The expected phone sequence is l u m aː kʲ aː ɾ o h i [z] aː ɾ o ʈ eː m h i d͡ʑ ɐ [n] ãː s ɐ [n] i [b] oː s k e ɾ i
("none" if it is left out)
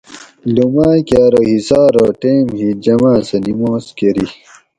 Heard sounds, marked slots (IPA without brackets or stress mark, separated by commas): s, m, n, m